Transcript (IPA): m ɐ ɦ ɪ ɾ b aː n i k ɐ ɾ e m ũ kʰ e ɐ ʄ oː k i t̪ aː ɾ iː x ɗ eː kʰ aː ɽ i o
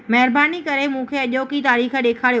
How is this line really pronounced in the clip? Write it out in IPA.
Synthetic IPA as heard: m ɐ ɦ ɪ ɾ b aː n i k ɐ ɾ e m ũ kʰ e ɐ ʄ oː k i t̪ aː ɾ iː x ɗ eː kʰ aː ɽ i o